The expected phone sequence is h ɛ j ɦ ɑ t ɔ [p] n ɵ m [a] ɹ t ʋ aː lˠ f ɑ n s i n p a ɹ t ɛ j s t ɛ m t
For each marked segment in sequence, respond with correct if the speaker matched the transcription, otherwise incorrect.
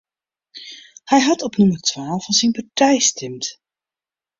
correct, incorrect: ə

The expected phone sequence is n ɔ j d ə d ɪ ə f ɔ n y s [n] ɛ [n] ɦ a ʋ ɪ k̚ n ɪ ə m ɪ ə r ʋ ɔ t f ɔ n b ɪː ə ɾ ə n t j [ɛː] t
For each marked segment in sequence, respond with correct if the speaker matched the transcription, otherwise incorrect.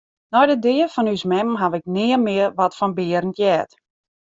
incorrect: m, incorrect: m, correct

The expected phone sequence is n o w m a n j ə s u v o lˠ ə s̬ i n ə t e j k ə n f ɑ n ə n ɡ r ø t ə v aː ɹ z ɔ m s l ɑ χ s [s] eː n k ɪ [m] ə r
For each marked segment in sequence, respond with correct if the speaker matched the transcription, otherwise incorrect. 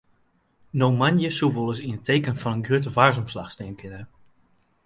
incorrect: t, incorrect: n

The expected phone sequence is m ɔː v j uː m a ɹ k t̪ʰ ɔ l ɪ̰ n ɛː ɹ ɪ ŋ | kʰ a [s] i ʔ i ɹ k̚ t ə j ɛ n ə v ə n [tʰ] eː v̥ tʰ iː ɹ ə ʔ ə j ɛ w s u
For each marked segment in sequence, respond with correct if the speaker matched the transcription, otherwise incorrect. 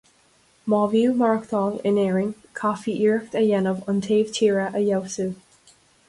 incorrect: f, correct

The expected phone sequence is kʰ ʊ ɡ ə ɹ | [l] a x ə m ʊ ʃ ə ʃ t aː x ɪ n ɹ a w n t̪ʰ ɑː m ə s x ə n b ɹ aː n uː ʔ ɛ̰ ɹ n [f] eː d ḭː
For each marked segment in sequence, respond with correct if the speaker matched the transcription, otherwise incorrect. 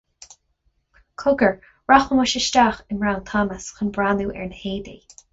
incorrect: ɹ, incorrect: h

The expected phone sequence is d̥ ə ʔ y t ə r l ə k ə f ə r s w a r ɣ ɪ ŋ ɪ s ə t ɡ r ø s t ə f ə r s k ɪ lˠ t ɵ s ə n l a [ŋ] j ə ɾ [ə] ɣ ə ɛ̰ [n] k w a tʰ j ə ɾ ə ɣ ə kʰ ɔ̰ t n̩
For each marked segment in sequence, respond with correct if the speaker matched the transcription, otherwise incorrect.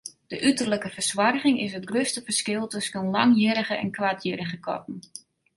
correct, correct, correct

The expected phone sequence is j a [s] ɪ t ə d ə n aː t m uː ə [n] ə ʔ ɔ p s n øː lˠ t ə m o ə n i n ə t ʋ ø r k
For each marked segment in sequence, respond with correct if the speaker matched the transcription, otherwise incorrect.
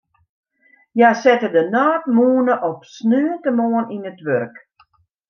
correct, correct

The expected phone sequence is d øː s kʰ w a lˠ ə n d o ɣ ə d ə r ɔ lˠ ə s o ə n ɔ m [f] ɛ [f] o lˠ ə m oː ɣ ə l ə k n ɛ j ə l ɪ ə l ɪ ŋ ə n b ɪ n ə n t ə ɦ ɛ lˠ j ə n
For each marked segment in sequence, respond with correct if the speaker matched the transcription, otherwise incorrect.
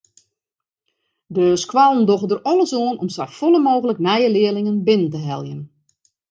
incorrect: s, correct

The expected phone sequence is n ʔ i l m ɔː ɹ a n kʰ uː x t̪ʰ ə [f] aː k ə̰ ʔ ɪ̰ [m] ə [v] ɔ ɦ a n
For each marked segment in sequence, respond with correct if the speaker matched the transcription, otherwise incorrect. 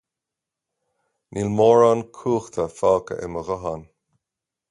correct, correct, incorrect: ɣ

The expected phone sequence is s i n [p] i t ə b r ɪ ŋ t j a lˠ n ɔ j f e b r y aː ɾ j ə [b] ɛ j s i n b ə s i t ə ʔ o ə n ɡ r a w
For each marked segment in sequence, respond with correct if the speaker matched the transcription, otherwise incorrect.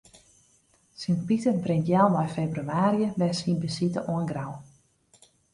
correct, correct

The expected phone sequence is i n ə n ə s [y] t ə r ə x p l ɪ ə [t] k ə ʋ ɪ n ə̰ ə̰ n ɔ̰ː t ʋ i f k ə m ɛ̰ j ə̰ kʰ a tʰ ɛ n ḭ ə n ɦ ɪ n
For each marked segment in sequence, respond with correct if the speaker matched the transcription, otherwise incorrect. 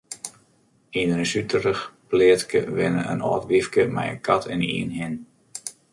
correct, correct

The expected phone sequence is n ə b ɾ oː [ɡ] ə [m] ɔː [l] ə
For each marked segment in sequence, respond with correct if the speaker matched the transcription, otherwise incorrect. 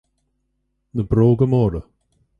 correct, correct, incorrect: ɾ

